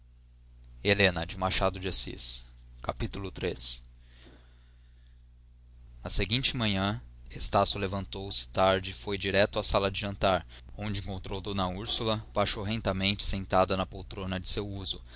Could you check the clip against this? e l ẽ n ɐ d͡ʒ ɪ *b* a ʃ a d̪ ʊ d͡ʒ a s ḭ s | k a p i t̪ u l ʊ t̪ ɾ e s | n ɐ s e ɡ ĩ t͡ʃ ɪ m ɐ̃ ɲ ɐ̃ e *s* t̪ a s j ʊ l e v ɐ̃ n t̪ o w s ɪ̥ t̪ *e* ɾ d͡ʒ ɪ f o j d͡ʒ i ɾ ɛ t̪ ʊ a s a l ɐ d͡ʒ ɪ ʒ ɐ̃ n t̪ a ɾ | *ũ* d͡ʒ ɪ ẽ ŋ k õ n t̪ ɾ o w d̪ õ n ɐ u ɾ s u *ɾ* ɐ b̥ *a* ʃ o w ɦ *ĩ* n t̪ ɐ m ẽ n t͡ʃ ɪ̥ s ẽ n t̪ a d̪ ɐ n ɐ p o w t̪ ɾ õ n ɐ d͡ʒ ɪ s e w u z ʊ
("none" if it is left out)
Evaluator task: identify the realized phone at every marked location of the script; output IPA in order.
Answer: m, s, a, õ, l, a, ẽ

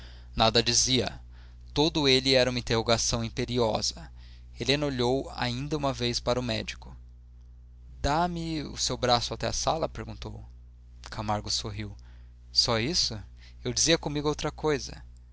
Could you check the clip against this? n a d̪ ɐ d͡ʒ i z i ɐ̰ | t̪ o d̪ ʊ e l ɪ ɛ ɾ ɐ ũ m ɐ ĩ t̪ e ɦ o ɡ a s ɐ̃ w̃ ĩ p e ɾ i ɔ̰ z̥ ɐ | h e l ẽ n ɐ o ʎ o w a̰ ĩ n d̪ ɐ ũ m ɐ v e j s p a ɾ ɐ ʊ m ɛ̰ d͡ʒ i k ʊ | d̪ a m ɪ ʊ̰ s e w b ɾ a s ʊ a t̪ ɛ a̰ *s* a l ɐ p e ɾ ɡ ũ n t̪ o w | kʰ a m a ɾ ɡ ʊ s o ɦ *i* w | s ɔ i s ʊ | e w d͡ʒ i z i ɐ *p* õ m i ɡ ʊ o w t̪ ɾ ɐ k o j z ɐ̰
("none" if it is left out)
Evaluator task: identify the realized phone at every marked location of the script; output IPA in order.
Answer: s, i, k

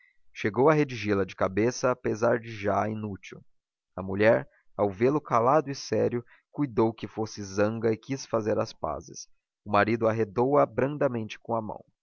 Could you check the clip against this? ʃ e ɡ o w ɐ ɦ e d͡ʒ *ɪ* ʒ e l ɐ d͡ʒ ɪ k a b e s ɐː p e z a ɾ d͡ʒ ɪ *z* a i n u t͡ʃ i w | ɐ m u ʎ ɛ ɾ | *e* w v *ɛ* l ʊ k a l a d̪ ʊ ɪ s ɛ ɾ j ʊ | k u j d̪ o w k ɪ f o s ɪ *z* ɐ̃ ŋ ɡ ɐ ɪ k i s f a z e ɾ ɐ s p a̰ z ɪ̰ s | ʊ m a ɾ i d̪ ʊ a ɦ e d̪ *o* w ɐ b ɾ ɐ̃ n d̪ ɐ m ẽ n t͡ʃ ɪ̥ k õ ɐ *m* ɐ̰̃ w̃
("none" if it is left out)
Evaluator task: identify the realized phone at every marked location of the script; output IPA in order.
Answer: i, ʒ, a, e, z, o, m

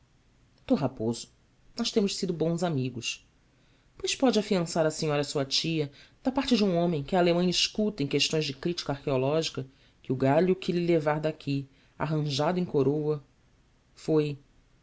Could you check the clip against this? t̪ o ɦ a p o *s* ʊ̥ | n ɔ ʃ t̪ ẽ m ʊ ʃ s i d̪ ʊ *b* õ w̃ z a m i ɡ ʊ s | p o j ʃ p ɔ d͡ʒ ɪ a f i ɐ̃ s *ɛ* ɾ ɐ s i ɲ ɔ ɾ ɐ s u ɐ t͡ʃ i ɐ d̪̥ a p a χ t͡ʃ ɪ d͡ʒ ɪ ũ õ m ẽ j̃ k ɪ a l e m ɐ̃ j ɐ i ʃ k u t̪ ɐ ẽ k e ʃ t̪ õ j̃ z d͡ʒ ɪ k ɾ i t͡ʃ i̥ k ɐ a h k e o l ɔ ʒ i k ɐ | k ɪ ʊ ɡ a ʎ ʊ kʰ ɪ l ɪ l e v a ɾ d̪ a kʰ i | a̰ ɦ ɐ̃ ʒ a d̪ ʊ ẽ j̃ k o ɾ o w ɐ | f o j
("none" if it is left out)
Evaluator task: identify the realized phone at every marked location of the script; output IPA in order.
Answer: z, b, a

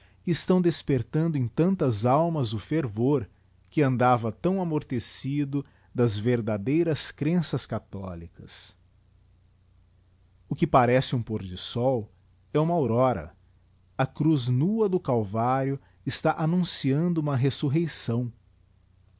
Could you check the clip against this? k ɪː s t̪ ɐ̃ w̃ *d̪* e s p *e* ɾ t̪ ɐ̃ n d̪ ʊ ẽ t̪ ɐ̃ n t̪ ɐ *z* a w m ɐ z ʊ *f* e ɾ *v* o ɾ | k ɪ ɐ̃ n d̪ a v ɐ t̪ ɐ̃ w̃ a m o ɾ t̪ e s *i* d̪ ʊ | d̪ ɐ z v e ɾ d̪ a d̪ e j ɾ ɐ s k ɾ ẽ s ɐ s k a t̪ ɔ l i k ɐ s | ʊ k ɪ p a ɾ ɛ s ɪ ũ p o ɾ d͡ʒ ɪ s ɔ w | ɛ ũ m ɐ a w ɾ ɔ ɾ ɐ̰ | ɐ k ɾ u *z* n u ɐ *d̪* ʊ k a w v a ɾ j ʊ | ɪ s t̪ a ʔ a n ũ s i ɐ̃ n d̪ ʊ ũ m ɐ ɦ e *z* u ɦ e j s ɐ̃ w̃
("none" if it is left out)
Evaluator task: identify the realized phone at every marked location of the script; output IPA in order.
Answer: d̪, e, z, f, v, i, z, d̪, s

